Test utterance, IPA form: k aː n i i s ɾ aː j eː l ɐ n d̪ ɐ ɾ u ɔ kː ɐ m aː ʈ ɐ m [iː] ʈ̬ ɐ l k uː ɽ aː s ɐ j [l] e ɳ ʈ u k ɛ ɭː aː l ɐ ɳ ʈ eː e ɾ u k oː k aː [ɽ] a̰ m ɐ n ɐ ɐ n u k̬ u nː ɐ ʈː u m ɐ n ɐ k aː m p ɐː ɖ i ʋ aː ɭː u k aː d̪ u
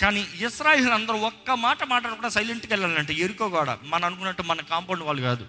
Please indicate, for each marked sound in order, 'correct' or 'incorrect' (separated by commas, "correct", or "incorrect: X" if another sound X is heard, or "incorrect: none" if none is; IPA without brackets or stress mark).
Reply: incorrect: aː, correct, correct